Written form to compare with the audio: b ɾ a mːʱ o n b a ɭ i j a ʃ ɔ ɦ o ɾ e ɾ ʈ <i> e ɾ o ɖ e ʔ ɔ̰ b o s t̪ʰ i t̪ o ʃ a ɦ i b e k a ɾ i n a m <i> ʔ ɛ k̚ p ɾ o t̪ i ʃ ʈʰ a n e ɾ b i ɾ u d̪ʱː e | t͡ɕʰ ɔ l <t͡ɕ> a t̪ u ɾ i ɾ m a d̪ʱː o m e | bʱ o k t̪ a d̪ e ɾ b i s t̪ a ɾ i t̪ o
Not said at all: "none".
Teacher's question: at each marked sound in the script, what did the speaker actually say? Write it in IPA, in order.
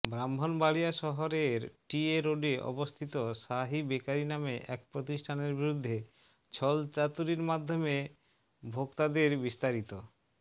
i, e, t͡ɕ

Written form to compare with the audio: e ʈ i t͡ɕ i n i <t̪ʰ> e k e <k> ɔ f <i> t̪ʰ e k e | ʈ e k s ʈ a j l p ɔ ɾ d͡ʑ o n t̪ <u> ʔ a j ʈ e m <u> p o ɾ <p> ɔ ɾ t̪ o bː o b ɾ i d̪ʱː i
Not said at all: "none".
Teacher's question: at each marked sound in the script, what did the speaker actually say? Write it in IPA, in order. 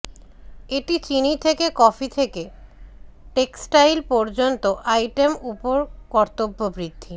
t̪ʰ, k, i, o, u, k

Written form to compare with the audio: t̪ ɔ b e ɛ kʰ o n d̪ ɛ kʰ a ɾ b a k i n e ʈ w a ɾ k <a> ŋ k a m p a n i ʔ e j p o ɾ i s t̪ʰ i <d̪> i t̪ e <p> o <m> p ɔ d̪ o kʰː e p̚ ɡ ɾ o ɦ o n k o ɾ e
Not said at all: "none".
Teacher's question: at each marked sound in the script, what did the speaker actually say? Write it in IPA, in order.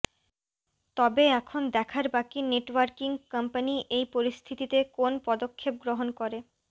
i, t̪, k, n

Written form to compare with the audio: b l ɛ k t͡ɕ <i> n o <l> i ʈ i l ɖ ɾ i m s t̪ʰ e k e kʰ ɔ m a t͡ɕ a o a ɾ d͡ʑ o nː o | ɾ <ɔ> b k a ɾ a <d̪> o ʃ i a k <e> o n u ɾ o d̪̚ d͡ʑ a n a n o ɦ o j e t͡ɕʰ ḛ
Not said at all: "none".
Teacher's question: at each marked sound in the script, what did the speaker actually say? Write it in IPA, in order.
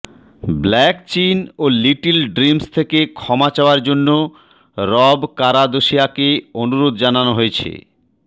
i, l, ɔ, d̪, e

